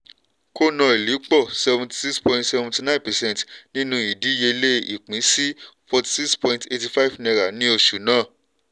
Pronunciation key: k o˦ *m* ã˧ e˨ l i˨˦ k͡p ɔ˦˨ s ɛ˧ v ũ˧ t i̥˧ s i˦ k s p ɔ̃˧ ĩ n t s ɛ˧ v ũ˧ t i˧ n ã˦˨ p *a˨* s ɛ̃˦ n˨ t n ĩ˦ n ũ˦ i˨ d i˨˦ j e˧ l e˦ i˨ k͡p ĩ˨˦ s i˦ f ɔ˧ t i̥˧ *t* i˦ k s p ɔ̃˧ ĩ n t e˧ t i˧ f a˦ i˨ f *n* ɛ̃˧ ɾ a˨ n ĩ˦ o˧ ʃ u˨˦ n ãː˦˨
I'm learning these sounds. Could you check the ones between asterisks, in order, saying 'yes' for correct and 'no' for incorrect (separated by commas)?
no, no, no, yes